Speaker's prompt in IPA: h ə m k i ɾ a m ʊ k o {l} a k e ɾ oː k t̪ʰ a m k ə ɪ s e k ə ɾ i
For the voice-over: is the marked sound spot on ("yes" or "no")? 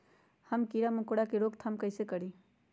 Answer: no